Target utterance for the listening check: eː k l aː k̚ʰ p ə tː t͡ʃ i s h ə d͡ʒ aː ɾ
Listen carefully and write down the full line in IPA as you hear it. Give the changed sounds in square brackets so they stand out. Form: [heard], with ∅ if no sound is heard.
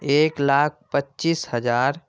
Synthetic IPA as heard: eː k l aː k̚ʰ p ə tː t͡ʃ i s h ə d͡ʒ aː ɾ